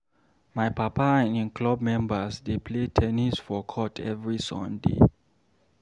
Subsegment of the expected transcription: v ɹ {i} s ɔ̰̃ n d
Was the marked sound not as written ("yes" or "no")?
no